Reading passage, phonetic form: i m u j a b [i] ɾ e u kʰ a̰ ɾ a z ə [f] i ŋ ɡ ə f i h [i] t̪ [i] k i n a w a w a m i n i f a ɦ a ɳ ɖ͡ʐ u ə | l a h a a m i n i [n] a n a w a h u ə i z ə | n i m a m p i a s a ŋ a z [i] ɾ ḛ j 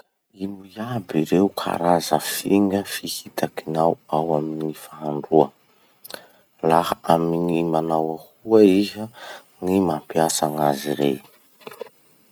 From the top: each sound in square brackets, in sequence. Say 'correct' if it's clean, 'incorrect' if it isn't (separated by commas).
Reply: correct, correct, correct, incorrect, incorrect, correct